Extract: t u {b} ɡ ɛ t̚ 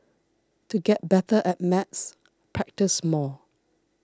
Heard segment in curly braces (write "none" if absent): none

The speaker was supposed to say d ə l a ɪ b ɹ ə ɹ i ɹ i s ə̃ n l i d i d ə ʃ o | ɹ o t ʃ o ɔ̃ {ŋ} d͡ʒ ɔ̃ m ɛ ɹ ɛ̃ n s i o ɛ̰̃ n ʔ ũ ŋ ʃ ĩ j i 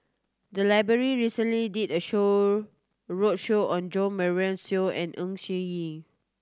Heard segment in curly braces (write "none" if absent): n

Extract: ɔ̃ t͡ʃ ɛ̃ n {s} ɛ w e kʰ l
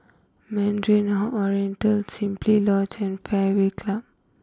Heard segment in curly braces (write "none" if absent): f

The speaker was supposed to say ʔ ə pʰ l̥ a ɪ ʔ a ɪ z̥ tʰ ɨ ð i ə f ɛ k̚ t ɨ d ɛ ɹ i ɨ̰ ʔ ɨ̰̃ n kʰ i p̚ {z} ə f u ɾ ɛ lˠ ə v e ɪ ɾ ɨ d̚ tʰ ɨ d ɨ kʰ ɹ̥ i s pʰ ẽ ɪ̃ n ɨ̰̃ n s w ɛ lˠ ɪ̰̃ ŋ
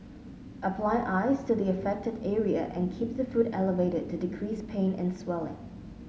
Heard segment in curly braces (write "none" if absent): ð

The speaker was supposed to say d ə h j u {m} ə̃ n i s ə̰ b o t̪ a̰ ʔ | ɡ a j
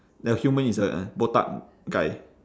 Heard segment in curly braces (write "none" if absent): m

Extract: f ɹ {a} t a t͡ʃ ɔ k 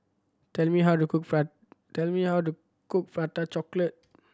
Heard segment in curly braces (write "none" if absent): a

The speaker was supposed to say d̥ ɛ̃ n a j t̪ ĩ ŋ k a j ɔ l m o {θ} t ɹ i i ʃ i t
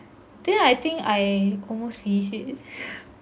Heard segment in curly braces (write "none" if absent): s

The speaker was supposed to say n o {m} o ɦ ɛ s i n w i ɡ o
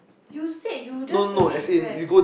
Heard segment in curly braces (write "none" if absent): n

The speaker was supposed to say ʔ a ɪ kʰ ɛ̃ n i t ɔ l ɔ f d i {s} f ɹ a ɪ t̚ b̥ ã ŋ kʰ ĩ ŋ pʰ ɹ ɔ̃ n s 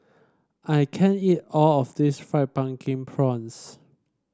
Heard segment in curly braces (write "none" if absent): s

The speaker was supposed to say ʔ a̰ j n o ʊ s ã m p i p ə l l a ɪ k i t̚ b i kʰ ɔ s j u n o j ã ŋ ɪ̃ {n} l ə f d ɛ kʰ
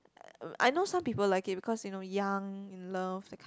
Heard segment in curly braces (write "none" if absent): n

